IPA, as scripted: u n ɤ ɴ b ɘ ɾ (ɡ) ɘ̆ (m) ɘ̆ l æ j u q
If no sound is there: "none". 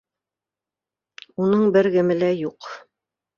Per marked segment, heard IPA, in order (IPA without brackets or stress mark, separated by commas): ɡ, m